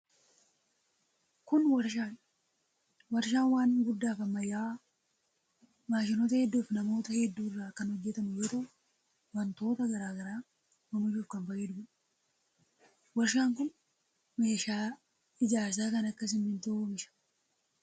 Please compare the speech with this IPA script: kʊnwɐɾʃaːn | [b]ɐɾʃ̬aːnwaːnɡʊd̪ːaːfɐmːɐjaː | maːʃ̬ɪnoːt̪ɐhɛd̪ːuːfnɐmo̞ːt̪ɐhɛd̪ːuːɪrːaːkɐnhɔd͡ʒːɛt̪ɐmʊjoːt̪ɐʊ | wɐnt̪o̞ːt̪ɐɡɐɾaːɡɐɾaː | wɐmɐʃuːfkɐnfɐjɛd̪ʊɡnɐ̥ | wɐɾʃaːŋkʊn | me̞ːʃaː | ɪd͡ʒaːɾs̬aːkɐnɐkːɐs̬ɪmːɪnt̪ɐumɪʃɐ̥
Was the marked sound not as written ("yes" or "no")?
yes